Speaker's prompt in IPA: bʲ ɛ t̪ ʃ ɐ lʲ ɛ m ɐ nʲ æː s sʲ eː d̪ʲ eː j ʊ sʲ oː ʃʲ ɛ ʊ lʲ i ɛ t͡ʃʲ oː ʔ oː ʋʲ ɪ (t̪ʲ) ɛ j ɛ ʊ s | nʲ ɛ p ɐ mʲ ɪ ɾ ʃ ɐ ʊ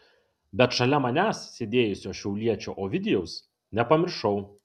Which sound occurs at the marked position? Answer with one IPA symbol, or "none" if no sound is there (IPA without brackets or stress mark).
d̪ʲ